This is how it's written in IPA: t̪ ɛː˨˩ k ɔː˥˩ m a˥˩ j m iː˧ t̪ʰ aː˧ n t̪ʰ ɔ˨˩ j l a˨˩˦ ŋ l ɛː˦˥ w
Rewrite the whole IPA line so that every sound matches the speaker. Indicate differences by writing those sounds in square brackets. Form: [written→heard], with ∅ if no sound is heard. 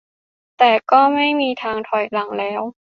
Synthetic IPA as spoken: t̪ ɛː˨˩ k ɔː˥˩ m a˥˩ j m iː˧ t̪ʰ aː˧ [n→ŋ] t̪ʰ ɔ˨˩ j l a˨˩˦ ŋ l ɛː˦˥ w